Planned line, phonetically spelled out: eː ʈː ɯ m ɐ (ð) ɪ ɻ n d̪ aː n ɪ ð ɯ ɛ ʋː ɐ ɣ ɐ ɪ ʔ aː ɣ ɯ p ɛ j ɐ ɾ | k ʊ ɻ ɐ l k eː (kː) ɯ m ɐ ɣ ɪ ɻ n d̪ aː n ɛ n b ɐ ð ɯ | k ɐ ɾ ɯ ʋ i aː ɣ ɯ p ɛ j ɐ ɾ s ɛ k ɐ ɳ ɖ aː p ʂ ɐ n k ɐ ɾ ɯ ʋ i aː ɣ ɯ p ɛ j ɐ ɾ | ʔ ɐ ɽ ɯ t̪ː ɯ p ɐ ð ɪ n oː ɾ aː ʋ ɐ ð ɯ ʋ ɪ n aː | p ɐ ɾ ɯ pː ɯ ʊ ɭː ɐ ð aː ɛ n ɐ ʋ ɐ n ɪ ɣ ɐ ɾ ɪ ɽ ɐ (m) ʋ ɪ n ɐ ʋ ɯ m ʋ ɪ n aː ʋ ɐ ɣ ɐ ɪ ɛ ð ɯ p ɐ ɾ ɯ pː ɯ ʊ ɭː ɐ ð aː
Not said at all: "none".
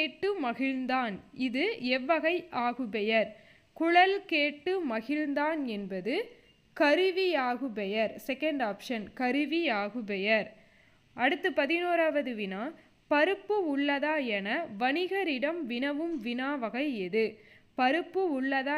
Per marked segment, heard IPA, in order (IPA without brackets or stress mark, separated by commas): ɣ, ʈː, m